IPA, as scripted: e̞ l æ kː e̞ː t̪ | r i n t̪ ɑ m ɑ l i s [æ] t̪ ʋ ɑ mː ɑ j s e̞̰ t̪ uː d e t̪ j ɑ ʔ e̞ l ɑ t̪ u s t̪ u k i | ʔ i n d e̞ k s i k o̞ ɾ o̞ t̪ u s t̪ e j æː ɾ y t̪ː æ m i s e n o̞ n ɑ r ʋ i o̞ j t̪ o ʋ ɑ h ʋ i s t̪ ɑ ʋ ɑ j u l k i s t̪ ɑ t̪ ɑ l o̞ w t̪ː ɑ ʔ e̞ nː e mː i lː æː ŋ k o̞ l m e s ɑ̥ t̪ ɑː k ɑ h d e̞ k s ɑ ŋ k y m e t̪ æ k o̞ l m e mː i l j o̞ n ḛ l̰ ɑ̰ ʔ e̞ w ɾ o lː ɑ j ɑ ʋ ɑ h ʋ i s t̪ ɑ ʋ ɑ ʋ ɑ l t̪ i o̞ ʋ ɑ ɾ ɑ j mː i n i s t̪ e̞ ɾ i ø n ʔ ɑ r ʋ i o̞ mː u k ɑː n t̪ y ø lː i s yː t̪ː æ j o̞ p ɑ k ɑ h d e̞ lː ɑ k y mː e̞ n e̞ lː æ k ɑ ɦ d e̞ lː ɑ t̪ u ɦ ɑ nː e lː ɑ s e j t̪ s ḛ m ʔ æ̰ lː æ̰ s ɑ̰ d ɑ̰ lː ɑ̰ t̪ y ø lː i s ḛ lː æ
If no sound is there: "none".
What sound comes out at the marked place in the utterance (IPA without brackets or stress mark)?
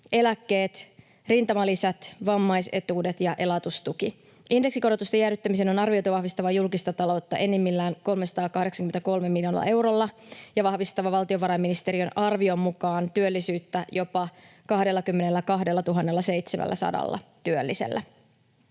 æ